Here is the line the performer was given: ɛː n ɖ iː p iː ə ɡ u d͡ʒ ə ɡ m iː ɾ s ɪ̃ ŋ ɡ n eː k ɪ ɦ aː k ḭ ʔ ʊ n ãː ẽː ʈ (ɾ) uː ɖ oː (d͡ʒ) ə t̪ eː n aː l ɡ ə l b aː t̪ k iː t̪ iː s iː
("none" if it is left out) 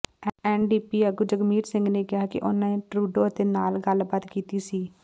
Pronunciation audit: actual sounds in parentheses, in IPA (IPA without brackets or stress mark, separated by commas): ɾ, none